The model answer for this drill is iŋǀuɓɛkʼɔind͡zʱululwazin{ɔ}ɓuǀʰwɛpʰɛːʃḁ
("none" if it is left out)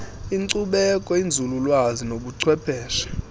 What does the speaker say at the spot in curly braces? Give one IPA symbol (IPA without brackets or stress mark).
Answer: o